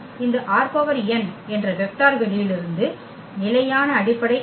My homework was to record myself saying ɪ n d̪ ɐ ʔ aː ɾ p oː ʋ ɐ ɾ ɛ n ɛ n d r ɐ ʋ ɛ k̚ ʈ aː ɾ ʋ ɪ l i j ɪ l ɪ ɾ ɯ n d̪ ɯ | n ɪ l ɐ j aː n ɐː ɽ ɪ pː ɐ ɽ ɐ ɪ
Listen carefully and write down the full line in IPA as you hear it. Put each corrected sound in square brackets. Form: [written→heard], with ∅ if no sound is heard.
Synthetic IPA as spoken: ɪ n d̪ ɐ ʔ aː ɾ p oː ʋ ɐ ɾ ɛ n ɛ n d r ɐ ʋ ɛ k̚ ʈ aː ɾ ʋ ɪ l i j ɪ l ɪ ɾ ɯ n d̪ ɯ | n ɪ l ɐ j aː n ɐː ɽ ɪ pː ɐ ɽ ɐ ɪ